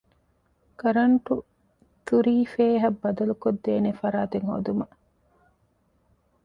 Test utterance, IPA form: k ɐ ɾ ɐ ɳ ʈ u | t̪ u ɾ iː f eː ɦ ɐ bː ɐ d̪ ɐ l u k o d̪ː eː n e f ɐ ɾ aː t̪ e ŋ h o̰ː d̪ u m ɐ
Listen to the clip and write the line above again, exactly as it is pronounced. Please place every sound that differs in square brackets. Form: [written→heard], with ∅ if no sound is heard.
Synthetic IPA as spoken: k ɐ ɾ ɐ ɳ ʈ u | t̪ u ɾ iː f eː ɦ ɐ bː ɐ d̪ ɐ l u k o d̪ː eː n e f ɐ ɾ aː t̪ e ŋ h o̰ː d̪ u m ɐ